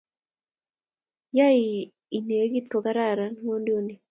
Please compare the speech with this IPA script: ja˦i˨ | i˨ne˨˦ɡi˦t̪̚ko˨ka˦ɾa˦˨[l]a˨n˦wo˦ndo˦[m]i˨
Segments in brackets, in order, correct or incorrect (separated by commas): incorrect, incorrect